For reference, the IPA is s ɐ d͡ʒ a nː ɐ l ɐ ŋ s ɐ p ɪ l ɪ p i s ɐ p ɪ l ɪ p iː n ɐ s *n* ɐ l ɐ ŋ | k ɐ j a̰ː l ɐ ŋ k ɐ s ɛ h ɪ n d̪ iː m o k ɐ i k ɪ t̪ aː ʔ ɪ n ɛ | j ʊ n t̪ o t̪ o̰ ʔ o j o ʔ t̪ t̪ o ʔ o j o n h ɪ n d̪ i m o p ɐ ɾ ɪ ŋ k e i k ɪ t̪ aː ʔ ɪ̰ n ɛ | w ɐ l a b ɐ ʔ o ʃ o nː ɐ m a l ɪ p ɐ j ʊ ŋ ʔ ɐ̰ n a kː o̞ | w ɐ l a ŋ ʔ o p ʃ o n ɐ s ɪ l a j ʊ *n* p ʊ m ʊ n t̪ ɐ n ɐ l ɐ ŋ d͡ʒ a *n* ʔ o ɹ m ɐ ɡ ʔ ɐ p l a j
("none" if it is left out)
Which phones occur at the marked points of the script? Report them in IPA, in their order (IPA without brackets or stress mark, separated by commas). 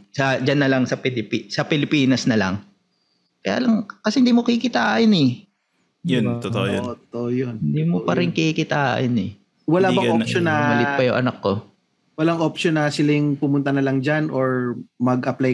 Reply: n, ŋ, n